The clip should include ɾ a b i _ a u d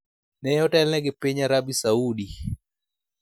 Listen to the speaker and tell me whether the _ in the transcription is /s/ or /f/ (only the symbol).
s